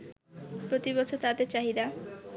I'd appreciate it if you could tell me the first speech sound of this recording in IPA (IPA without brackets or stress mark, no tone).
p